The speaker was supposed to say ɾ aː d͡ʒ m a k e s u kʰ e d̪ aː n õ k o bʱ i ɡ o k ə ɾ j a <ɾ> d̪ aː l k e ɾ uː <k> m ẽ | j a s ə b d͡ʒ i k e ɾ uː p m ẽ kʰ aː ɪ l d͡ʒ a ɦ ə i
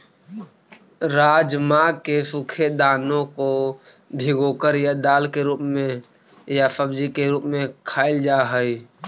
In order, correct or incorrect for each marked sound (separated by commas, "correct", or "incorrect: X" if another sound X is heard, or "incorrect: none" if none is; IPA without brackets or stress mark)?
incorrect: none, incorrect: p